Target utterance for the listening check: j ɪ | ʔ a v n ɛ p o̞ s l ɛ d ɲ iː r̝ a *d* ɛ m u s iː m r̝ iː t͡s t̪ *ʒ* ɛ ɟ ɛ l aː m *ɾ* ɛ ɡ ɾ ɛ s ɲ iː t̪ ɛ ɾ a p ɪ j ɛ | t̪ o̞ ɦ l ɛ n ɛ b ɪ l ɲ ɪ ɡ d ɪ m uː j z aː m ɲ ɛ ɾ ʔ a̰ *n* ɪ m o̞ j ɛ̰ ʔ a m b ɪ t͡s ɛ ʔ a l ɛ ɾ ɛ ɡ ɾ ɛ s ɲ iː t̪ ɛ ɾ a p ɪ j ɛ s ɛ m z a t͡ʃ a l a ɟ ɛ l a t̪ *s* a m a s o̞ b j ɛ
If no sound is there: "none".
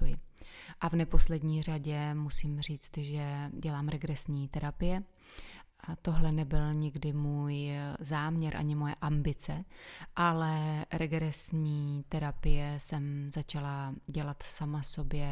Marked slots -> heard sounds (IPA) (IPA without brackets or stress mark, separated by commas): ɟ, ʒ, ɾ, ɲ, s